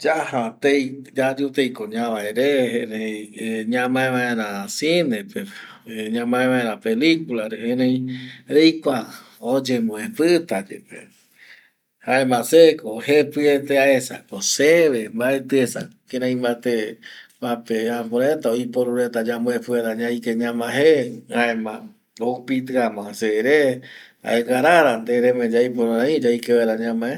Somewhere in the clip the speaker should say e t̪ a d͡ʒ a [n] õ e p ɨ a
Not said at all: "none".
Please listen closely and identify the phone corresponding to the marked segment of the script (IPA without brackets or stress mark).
m